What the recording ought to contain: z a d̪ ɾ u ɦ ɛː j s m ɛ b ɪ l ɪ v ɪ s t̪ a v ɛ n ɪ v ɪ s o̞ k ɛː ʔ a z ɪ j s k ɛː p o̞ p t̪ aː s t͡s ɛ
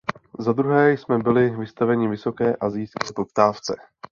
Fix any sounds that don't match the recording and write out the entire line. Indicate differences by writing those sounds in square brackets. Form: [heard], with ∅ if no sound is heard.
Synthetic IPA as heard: z a d̪ ɾ u ɦ ɛː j s m ɛ b ɪ l ɪ v ɪ s t̪ a v ɛ [ɲ] ɪ v ɪ s o̞ k ɛː ʔ a z ɪ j s k ɛː p o̞ p t̪ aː [f] t͡s ɛ

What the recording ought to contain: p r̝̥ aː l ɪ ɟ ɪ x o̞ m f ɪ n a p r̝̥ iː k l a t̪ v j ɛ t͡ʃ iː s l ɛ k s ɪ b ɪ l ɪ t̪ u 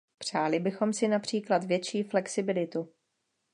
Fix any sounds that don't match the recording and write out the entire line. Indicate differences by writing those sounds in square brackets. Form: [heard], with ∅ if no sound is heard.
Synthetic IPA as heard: p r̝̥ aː l ɪ [b] ɪ x o̞ m [s] ɪ n a p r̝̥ iː k l a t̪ v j ɛ t͡ʃ iː [f] l ɛ k s ɪ b ɪ l ɪ t̪ u

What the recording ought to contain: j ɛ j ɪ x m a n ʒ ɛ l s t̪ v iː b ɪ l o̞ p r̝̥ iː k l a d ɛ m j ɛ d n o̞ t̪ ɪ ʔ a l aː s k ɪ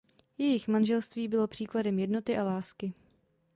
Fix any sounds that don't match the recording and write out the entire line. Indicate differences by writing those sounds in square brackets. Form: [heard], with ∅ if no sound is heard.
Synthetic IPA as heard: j ɛ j ɪ x m a n ʒ ɛ l s t̪ v iː b ɪ l o̞ p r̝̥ iː k l a d ɛ m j ɛ d n o̞ t̪ ɪ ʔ a l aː s k ɪ

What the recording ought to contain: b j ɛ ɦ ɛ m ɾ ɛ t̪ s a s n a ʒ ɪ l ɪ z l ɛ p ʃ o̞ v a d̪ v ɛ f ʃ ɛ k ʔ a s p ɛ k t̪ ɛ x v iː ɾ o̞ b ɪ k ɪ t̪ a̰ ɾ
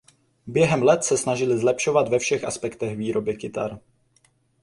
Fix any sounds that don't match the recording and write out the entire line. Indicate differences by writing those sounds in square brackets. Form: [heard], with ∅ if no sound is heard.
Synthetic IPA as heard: b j ɛ ɦ ɛ m [l] ɛ t̪ s [ɛ] s n a ʒ ɪ l ɪ z l ɛ p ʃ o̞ v a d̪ v ɛ f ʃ ɛ [x] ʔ a s p ɛ k t̪ ɛ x v iː ɾ o̞ b ɪ k ɪ t̪ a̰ ɾ

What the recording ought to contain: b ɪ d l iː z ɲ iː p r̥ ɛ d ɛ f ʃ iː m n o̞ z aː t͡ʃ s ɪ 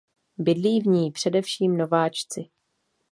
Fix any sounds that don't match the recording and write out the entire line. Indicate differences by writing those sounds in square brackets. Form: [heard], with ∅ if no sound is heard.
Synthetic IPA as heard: b ɪ d l iː [v] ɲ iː p r̥ ɛ d ɛ f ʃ iː m n o̞ [v] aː t͡ʃ [t͡s] ɪ

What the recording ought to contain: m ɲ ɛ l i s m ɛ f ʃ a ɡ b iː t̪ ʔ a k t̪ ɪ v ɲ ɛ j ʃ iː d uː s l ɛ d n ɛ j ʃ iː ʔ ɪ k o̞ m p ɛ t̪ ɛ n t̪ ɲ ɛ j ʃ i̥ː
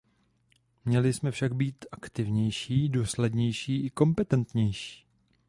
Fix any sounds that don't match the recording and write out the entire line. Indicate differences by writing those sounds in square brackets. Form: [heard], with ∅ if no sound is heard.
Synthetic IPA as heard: m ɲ ɛ l [ɪ] s m ɛ f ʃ a ɡ b iː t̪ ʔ a k t̪ ɪ v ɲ ɛ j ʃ iː d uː s l ɛ d [ɲ] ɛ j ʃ iː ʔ ɪ k o̞ m p ɛ t̪ ɛ n t̪ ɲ ɛ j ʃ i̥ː

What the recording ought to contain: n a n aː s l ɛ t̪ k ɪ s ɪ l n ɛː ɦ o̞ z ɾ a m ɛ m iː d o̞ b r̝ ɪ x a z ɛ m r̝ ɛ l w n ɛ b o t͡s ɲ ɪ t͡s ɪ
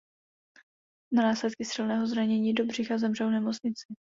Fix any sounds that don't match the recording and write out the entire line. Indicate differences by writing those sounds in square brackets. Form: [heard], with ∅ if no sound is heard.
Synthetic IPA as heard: n a n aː s l ɛ t̪ k ɪ s ɪ l n ɛː ɦ o̞ z ɾ a [ɲ] ɛ [ɲ] iː d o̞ b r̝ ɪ x a z ɛ m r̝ ɛ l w n ɛ [m] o t͡s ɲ ɪ t͡s ɪ

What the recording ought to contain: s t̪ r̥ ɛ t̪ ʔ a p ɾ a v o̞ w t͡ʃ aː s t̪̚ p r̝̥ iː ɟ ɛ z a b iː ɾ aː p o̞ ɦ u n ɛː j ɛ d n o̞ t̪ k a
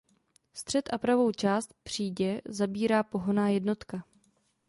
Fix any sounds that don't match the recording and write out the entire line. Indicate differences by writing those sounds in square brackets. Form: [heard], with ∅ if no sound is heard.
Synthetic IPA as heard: s t̪ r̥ ɛ t̪ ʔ a p ɾ a v o̞ w t͡ʃ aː s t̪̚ p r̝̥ iː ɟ ɛ z a b iː ɾ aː p o̞ ɦ [o] n [aː] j ɛ d n o̞ t̪ k a

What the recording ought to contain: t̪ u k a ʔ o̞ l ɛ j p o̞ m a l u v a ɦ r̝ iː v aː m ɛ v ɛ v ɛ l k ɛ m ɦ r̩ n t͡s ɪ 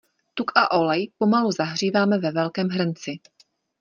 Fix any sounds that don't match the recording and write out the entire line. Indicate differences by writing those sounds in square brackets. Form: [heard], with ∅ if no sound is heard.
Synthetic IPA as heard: t̪ u k a ʔ o̞ l ɛ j p o̞ m a l u [z] a ɦ r̝ iː v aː m ɛ v ɛ v ɛ l k [ɛː] m ɦ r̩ n t͡s ɪ

